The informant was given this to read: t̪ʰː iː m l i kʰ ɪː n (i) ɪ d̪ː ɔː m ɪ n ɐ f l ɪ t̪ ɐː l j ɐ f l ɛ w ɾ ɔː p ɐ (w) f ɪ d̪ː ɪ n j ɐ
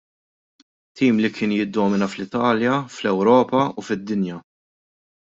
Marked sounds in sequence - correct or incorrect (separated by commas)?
incorrect, incorrect